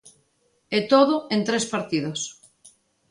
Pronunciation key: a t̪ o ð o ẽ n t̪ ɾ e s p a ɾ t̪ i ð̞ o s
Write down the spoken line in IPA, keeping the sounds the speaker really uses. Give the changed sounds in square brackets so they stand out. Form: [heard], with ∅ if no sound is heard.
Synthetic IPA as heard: [e] t̪ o ð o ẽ n t̪ ɾ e s p a ɾ t̪ i ð̞ o s